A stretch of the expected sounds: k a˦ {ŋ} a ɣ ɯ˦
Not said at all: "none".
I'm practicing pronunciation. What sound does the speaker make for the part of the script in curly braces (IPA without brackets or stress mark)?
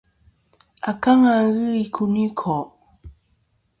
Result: ŋ